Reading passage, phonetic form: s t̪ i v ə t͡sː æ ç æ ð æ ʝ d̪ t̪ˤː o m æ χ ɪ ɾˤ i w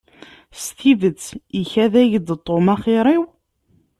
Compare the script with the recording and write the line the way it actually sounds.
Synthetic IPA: s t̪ i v ə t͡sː i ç æ ð æ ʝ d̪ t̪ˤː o m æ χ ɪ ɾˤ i w